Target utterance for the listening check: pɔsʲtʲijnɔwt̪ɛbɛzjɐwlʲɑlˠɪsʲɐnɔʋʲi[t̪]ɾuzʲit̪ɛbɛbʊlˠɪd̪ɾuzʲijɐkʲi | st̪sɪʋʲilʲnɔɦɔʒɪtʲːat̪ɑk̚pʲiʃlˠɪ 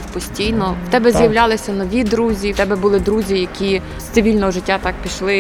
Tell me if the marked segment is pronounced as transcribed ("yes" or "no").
no